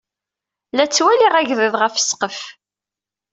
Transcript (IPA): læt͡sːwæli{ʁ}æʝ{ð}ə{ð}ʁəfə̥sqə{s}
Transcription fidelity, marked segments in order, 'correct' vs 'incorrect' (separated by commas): correct, correct, correct, incorrect